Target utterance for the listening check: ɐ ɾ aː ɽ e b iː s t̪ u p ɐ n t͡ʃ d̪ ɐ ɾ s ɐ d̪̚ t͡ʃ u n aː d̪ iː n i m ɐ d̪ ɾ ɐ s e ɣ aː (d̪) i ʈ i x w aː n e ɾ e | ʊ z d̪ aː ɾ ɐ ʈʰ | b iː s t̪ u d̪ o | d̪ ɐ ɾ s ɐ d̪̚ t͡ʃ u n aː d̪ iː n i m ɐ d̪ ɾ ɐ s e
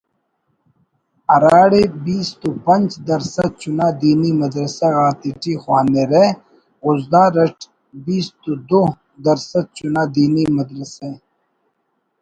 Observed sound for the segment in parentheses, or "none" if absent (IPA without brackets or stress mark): t̪